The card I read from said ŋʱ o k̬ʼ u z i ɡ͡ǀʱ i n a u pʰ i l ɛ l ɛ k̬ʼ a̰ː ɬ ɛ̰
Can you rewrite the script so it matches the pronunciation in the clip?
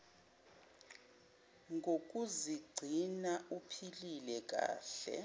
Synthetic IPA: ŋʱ o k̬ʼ u z i ɡ͡ǀʱ i n a u pʰ i l i l ɛ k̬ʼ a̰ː ɬ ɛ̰

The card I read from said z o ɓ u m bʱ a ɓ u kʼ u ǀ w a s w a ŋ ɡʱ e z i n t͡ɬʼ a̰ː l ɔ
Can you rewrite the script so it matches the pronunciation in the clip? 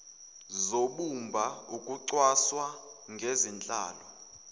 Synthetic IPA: z o ɓ u m bʱ a u kʼ u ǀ w a s w a ŋ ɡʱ e z i n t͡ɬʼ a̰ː l ɔ

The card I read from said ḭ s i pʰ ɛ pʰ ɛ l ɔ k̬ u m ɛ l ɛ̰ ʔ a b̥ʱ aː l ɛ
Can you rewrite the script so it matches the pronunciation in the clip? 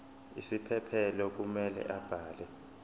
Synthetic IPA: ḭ s i pʰ ɛ pʰ ɛ l ɔ k̬ u m ɛ l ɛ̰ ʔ a b̥ʱ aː l ɛ

